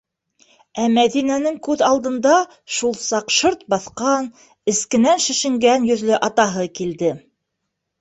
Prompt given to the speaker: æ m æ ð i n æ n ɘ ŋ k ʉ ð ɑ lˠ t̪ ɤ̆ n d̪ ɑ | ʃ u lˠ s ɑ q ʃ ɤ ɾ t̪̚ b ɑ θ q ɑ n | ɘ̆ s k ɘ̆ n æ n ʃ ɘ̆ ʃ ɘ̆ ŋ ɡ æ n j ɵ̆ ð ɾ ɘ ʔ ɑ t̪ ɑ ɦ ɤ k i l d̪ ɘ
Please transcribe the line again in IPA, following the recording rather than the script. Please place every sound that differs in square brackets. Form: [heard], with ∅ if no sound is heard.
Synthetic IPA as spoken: æ m æ ð i n æ n ɘ ŋ k ʉ ð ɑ lˠ [d̪] ɤ̆ n d̪ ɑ | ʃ u lˠ s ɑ q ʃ ɤ ɾ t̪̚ b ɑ θ q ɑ n | ɘ̆ s k ɘ̆ n æ n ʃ ɘ̆ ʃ ɘ̆ ŋ ɡ æ n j ɵ̆ ð [l] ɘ ʔ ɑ t̪ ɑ ɦ ɤ k i l d̪ ɘ